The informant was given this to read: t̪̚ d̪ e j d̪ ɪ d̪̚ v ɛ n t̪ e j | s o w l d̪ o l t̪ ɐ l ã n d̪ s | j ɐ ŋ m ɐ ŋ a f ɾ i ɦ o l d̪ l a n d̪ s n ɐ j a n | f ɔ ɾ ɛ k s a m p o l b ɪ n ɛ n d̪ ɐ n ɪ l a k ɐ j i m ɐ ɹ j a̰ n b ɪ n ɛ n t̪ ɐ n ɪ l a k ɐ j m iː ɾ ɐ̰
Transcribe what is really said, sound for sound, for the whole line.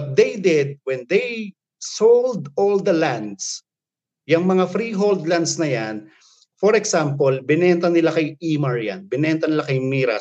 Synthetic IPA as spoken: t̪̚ d̪ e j d̪ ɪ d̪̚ w ɛ n d̪ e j | s o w l d̪ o l d̪ ɐ l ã n d̪ s | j ɐ ŋ m ɐ ŋ a f ɾ i ɦ o l d̪ l a n d̪ s n ɐ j a n | f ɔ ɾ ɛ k s a m p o l b ɪ n ɛ n t̪ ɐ n ɪ l a k ɐ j i m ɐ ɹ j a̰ n b ɪ n ɛ n t̪ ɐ n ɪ l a k ɐ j m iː ɾ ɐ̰